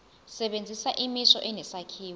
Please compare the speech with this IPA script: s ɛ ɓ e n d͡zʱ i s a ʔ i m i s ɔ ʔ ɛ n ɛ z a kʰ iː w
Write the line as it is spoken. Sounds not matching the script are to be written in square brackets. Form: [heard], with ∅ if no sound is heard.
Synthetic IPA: s ɛ ɓ e n d͡zʱ i s a ʔ i m i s ɔ ʔ ɛ n ɛ [s] a kʰ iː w